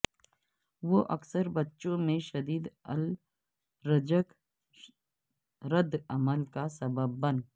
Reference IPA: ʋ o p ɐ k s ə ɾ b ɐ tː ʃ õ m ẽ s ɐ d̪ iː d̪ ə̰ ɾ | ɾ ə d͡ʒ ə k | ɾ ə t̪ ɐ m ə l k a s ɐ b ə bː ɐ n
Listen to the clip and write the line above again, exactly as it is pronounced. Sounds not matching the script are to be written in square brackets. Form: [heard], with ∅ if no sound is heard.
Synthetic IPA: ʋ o [ʔ] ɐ k s ə ɾ b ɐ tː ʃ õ m ẽ [ʃ] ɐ d̪ iː d̪ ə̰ [l] | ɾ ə d͡ʒ ə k | ɾ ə [d̪] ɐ m ə l k a s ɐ b ə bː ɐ n

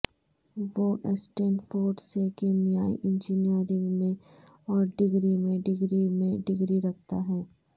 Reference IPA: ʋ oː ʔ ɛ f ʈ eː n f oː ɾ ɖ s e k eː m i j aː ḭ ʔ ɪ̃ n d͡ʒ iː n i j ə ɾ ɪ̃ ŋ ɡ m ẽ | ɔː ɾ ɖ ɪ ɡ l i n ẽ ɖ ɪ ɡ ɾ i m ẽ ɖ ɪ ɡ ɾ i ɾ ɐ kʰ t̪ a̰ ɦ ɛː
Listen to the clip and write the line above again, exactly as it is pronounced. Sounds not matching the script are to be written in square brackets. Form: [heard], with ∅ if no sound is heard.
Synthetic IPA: ʋ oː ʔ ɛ [s] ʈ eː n f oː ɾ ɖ s e k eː m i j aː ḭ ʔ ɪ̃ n d͡ʒ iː n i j ə ɾ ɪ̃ ŋ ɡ m ẽ | ɔː ɾ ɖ ɪ ɡ [ɾ] i [m] ẽ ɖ ɪ ɡ ɾ i m ẽ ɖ ɪ ɡ ɾ i ɾ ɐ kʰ t̪ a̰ ɦ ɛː

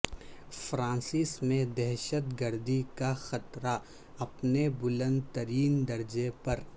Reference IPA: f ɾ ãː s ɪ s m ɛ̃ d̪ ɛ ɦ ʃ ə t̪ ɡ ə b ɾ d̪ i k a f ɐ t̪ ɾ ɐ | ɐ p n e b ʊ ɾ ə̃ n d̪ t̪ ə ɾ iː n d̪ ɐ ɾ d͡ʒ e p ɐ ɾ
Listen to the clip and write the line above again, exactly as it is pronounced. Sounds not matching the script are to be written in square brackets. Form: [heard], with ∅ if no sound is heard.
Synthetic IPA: f ɾ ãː s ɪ s m [ẽ] d̪ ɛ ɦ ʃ ə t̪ ɡ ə [∅] ɾ d̪ i k a [x] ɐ t̪ ɾ [a] | ɐ p n e b ʊ [l] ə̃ n d̪ t̪ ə ɾ iː n d̪ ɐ ɾ d͡ʒ e p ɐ ɾ

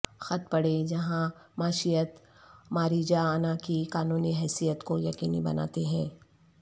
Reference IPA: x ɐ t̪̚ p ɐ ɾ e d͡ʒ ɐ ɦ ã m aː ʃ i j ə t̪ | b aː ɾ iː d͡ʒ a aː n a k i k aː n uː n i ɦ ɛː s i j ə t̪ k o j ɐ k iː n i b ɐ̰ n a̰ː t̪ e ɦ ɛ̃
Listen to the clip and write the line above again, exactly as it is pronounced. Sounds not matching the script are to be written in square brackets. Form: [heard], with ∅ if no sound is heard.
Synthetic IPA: x ɐ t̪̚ p ɐ [ɽ] e d͡ʒ ɐ ɦ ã m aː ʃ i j ə t̪ | [m] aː ɾ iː d͡ʒ a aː n a k i k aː n uː n i ɦ ɛː s i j ə t̪ k o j ɐ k iː n i b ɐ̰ n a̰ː t̪ e ɦ [ɛ̃ː]

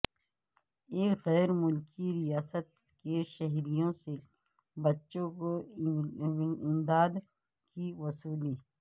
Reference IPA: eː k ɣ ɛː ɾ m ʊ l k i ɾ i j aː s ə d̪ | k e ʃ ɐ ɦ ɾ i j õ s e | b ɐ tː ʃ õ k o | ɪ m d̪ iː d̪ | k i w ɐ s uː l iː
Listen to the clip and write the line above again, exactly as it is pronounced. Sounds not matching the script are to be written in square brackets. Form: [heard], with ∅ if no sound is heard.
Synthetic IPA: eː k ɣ ɛː ɾ m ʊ l k i ɾ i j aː s ə [t̪] | k e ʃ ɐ ɦ ɾ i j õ s e | b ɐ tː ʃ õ k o | ɪ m d̪ [aː] d̪ | k i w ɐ s uː l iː

